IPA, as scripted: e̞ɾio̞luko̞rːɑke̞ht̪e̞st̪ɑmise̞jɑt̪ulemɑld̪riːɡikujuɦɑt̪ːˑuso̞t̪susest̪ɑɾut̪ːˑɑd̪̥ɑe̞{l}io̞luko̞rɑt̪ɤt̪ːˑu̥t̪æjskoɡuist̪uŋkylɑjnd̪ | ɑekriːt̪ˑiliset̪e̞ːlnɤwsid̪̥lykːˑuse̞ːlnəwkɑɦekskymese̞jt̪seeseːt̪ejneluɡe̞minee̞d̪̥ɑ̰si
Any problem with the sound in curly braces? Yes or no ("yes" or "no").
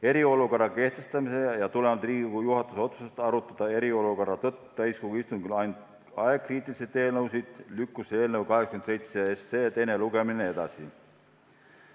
yes